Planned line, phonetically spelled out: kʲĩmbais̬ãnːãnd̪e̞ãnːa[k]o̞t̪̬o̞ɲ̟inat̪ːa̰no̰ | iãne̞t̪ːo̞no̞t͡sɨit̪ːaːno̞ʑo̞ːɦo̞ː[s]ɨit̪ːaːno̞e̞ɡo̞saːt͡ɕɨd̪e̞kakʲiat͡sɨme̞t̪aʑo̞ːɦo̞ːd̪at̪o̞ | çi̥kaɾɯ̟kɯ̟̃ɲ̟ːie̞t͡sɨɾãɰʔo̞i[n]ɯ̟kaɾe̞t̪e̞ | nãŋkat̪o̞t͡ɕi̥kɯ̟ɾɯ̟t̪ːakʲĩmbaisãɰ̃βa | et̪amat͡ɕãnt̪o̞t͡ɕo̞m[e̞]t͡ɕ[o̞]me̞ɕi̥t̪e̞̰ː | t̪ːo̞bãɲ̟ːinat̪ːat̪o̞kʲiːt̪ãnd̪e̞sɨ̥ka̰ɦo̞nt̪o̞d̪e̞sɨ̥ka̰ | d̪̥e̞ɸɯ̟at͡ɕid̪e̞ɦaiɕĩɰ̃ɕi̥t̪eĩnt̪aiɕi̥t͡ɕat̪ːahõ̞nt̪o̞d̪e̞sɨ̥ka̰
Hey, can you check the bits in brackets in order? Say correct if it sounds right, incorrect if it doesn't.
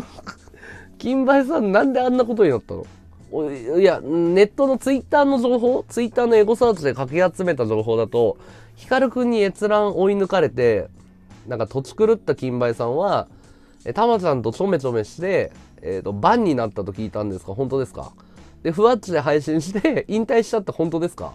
correct, incorrect: t͡s, correct, correct, correct

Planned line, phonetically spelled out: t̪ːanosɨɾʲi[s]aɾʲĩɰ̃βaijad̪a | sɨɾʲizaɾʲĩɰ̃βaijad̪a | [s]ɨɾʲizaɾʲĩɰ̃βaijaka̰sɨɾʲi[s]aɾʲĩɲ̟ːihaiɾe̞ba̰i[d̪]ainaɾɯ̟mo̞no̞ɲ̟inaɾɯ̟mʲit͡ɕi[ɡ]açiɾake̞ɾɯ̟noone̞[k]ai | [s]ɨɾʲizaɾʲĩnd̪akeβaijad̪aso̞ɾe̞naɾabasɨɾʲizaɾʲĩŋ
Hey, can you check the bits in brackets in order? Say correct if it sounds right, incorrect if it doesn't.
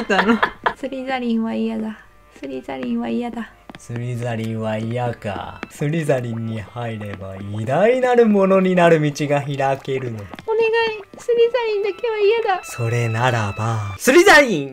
incorrect: z, correct, incorrect: z, correct, correct, incorrect: ɡ, correct

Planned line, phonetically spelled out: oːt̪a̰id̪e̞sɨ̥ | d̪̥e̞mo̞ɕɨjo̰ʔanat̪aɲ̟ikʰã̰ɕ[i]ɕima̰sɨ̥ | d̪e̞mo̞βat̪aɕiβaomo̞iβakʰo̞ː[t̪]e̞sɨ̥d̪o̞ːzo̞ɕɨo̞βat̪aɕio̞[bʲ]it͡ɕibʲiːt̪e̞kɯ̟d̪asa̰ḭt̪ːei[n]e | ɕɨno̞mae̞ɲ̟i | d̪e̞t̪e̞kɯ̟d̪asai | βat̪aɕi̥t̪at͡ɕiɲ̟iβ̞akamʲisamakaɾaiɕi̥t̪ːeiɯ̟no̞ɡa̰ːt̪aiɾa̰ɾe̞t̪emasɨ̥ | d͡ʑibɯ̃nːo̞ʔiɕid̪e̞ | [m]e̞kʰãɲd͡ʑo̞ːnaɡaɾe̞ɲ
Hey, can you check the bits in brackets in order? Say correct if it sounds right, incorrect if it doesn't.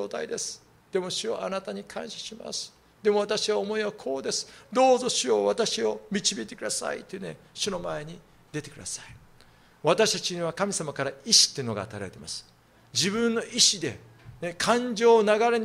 incorrect: a, incorrect: d̪, incorrect: mʲ, correct, incorrect: n

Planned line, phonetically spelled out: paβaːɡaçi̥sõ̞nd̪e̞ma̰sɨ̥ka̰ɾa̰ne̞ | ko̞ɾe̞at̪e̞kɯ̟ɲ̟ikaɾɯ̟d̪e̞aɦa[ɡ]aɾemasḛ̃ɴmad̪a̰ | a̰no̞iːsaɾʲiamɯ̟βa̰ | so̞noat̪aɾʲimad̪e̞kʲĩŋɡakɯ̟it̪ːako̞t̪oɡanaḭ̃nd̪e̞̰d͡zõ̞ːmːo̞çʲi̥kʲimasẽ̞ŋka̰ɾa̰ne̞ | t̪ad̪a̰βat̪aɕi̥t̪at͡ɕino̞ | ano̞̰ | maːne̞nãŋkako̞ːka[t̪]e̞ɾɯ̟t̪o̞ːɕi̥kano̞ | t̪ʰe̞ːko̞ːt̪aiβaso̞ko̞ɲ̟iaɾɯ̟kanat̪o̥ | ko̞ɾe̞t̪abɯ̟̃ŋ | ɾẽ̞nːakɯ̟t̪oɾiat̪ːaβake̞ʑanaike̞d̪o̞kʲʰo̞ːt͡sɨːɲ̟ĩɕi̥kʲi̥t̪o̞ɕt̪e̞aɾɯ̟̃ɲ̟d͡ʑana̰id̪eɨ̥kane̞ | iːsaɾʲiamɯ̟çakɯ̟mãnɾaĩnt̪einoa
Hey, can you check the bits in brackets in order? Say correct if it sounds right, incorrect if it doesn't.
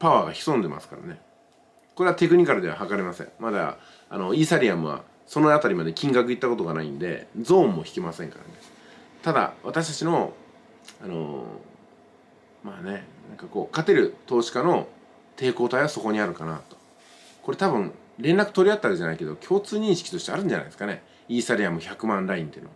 incorrect: k, correct

